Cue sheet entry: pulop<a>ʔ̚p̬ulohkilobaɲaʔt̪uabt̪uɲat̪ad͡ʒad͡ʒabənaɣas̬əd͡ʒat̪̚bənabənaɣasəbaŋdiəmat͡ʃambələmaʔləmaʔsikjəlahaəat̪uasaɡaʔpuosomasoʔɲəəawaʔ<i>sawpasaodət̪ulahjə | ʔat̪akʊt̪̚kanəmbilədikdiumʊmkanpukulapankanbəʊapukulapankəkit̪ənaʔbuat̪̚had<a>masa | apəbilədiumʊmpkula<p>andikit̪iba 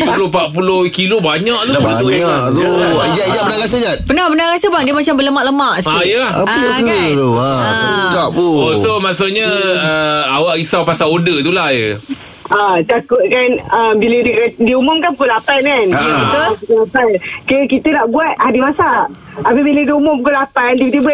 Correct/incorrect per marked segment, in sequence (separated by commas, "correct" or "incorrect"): correct, correct, incorrect, correct